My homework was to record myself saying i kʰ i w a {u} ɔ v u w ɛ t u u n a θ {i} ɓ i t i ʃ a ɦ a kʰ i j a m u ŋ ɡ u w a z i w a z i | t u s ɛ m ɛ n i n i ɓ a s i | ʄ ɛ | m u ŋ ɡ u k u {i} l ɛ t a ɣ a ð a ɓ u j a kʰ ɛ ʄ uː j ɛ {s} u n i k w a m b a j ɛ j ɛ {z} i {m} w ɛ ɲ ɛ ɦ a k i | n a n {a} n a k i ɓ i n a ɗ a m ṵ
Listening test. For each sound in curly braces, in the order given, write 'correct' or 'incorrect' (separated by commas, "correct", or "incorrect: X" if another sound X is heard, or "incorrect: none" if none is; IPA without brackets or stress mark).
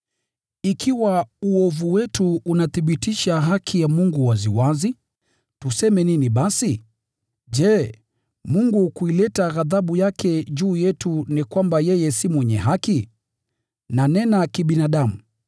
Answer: correct, correct, correct, incorrect: t, incorrect: s, correct, incorrect: ɛ